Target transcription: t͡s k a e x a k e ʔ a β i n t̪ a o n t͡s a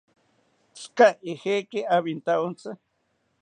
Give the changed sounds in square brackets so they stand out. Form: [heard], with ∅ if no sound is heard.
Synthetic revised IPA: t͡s k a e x [e] k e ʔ a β i n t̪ a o n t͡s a